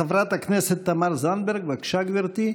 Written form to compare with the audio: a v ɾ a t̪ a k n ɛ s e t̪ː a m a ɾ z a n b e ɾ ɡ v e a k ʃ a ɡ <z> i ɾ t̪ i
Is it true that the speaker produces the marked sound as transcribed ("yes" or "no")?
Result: no